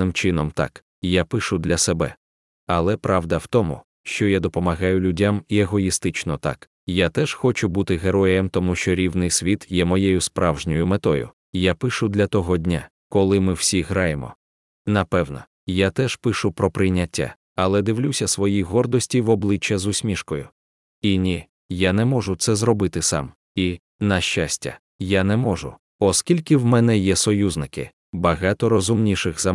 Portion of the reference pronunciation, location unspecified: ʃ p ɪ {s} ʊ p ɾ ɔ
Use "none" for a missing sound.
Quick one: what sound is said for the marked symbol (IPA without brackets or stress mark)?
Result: ʃ